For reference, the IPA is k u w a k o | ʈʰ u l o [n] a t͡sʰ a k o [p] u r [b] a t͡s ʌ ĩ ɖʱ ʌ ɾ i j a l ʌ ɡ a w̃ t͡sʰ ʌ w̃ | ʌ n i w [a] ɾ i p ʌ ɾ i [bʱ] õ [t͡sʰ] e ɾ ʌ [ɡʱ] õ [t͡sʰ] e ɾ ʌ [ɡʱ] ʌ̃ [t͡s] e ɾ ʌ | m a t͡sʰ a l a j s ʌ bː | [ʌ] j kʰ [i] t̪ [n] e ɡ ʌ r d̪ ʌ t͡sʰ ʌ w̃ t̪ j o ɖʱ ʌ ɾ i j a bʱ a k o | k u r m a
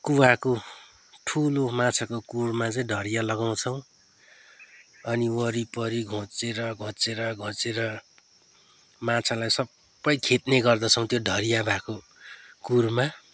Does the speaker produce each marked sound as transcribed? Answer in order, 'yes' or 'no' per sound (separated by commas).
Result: no, no, no, no, no, no, yes, no, yes, yes, yes, no, yes